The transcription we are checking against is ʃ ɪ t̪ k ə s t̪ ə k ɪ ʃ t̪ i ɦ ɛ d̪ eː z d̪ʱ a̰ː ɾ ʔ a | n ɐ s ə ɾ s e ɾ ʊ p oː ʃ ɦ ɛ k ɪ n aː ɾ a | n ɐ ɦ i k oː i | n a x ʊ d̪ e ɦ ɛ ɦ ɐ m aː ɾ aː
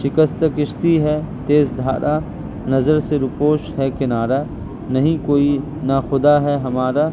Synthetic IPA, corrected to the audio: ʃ ɪ k ə s t̪ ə k ɪ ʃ t̪ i ɦ ɛ t̪ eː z d̪ʱ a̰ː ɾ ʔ a | n ɐ z ə ɾ s e ɾ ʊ p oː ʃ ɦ ɛ k ɪ n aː ɾ a | n ɐ ɦ ĩ k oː i | n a x ʊ d̪ a ɦ ɛ ɦ ɐ m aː ɾ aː